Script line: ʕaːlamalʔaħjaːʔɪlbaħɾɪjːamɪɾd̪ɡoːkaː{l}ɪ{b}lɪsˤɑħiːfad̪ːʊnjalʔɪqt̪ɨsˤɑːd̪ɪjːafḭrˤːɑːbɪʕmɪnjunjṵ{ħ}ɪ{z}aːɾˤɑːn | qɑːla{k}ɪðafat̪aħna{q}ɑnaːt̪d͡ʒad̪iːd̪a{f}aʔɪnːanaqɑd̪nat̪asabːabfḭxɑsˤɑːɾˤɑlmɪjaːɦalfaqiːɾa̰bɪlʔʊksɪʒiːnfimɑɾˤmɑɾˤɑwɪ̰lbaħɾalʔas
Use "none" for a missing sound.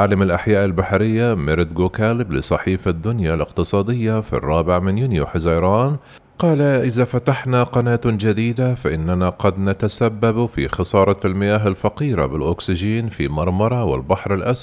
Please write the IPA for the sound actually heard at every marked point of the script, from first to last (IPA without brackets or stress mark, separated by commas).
l, b, ħ, z, ʔ, q, f